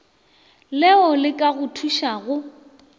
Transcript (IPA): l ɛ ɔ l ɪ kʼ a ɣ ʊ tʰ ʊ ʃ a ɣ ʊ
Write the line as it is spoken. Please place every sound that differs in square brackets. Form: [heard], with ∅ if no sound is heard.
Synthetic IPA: l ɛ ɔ l ɪ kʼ a ɣ ʊ tʰ [u] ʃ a ɣ ʊ